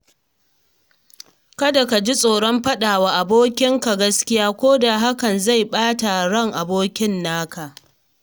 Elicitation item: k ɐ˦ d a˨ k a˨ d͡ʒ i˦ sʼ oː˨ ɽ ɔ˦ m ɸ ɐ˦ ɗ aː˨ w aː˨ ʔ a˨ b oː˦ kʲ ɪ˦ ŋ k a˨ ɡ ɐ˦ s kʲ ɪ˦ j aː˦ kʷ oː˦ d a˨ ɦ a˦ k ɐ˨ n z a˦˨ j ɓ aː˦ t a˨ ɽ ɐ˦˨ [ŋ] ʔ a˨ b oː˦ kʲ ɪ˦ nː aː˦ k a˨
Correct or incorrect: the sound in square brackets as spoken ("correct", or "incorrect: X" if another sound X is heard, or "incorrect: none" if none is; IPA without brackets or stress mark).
correct